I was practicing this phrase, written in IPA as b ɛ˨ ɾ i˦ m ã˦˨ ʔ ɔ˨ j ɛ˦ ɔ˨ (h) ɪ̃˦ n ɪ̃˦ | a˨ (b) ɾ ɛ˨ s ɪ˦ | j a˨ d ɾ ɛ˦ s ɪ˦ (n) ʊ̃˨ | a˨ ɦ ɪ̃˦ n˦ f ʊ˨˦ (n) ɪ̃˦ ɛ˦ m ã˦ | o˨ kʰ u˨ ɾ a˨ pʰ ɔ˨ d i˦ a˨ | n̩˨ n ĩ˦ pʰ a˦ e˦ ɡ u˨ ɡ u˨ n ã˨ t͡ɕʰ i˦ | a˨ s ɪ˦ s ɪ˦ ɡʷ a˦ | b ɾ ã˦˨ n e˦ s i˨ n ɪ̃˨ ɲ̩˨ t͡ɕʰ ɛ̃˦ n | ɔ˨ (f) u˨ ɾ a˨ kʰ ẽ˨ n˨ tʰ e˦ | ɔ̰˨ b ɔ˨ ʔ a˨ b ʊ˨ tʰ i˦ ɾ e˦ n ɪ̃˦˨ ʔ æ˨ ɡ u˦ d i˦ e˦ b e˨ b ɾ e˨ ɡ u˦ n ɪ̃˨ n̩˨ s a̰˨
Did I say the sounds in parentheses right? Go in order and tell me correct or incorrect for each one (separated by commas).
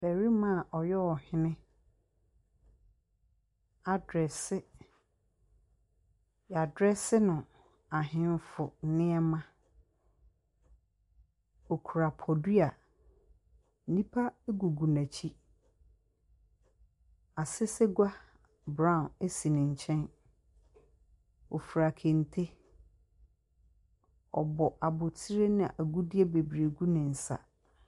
correct, incorrect, correct, correct, correct